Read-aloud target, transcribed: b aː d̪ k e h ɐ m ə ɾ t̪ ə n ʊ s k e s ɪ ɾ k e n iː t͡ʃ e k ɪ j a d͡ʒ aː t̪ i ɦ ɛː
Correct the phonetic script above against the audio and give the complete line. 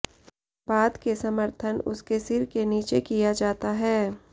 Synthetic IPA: b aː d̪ k e s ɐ m ə ɾ t̪ʰ ə n ʊ s k e s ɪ ɾ k e n iː t͡ʃ e k i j a d͡ʒ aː t̪ a ɦ ɛː